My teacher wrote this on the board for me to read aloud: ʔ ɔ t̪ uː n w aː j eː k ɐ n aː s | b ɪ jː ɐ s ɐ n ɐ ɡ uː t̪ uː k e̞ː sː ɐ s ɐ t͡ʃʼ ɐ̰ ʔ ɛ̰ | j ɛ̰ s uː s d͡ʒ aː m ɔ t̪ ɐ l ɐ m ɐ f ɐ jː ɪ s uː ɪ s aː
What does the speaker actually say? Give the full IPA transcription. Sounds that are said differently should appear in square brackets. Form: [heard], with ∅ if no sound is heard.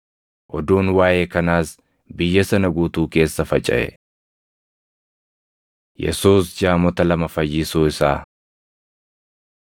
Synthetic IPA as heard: ʔ ɔ [d̪] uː n w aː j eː k ɐ n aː s | b ɪ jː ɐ s ɐ n ɐ ɡ uː t̪ uː k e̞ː sː ɐ [f] ɐ t͡ʃʼ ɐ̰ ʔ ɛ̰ | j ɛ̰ s uː s d͡ʒ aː m ɔ t̪ ɐ l ɐ m ɐ f ɐ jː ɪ s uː ɪ s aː